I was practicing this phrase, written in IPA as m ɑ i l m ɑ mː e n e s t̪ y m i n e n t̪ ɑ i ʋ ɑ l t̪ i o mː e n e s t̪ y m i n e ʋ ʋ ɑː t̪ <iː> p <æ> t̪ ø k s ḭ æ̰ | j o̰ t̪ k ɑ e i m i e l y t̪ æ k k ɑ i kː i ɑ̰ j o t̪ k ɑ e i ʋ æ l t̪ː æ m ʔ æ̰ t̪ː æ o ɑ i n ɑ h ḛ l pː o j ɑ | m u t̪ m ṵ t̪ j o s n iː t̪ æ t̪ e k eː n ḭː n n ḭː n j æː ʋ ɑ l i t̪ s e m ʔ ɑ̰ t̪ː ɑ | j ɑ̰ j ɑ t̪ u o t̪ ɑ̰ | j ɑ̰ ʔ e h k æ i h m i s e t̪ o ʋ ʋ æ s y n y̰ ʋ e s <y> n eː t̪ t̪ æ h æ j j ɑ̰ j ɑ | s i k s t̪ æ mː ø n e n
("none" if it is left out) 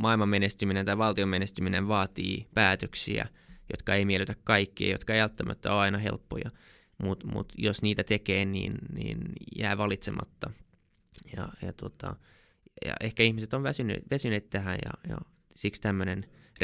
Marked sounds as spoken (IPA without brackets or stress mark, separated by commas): iː, æː, y